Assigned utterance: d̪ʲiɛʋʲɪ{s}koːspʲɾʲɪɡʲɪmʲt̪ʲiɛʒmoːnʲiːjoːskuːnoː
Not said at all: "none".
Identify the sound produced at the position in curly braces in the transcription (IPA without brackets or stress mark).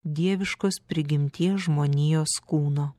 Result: ʃ